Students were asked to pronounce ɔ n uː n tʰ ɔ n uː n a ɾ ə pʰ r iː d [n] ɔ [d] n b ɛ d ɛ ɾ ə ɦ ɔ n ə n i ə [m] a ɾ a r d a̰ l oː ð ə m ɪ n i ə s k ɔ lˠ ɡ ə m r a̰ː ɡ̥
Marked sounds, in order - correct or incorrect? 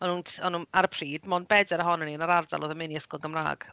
incorrect, incorrect, incorrect

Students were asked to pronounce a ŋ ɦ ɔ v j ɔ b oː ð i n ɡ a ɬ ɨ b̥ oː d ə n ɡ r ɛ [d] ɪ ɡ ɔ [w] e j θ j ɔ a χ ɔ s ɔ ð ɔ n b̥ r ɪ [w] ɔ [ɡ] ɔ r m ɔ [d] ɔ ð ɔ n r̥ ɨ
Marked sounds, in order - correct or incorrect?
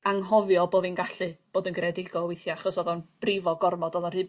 correct, correct, incorrect, correct, correct

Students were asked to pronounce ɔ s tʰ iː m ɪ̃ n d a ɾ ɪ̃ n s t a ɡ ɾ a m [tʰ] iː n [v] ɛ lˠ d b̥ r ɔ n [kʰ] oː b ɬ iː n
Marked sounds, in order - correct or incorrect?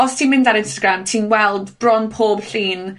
correct, incorrect, incorrect

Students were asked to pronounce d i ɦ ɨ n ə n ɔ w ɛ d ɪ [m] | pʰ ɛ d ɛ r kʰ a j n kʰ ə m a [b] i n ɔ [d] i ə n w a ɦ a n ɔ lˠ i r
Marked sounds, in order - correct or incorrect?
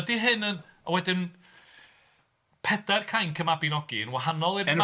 incorrect, correct, incorrect

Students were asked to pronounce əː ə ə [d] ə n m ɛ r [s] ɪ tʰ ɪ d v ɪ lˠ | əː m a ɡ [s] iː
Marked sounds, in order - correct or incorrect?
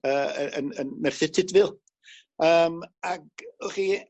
incorrect, incorrect, incorrect

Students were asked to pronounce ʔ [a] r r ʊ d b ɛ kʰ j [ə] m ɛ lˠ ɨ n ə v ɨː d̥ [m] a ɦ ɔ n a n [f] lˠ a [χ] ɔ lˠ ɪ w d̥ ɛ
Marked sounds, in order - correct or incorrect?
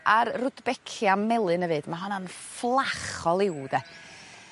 correct, incorrect, correct, correct, correct

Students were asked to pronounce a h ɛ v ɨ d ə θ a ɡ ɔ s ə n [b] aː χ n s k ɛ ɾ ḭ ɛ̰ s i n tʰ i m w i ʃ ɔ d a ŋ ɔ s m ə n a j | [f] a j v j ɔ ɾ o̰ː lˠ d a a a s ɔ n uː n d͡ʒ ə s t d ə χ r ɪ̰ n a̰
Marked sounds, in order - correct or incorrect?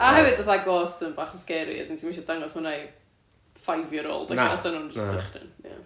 correct, correct

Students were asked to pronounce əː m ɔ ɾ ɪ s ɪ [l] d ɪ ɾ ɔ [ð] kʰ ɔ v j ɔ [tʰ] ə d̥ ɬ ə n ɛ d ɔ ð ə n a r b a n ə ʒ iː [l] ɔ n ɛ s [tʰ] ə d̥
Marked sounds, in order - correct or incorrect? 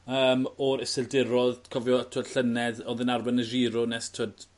correct, correct, correct, incorrect, correct

